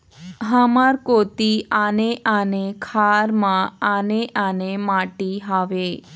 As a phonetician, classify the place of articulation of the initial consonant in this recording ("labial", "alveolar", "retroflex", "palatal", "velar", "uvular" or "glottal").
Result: glottal